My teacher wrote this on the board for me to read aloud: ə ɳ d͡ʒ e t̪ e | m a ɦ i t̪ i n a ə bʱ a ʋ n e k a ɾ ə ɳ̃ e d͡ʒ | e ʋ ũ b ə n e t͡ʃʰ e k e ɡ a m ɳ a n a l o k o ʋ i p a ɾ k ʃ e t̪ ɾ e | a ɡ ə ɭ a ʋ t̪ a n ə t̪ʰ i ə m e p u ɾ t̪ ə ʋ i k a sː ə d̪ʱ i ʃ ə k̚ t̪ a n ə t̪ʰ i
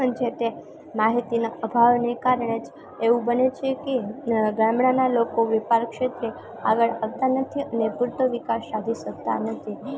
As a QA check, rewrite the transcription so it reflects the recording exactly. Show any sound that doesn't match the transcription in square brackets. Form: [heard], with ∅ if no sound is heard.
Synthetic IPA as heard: ə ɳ d͡ʒ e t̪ e | m a ɦ i t̪ i n a ə bʱ a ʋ n e k a ɾ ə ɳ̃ e d͡ʒ | e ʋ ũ b ə n e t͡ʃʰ e k e ɡ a m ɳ a n a l o k o ʋ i p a ɾ k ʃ e t̪ ɾ e | a ɡ ə ɭ a ʋ t̪ a n ə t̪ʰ i ə [n] e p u ɾ t̪ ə ʋ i k a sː [a] d̪ʱ i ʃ ə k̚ t̪ a n ə t̪ʰ i